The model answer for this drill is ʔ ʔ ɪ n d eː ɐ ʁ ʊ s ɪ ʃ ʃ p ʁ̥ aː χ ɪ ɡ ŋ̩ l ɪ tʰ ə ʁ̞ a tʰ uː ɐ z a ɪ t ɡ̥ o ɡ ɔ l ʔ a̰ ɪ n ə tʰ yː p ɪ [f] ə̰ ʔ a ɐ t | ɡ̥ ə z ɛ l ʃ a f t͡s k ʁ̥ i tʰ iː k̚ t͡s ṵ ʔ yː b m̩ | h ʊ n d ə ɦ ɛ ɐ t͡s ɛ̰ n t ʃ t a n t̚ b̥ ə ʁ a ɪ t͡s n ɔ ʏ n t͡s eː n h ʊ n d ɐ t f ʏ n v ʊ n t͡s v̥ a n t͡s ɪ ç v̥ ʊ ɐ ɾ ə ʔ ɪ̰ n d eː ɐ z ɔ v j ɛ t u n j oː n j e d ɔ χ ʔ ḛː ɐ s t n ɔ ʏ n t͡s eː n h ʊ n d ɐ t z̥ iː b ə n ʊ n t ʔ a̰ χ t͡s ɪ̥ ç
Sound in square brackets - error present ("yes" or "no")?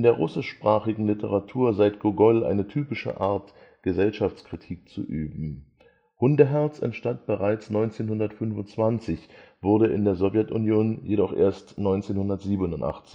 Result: yes